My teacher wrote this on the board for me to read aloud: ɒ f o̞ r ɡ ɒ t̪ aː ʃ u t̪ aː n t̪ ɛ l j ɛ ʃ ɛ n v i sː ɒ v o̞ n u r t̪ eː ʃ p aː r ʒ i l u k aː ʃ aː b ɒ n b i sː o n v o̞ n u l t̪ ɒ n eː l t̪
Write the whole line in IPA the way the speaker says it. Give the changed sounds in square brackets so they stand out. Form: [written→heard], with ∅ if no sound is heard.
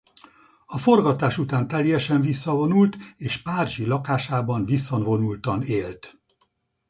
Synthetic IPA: ɒ f o̞ r ɡ ɒ t̪ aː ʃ u t̪ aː n t̪ ɛ l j ɛ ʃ ɛ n v i sː ɒ v o̞ n u [r→l] t̪ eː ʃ p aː r ʒ i l [u→ɒ] k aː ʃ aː b ɒ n [b→v] i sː o n v o̞ n u l t̪ ɒ n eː l t̪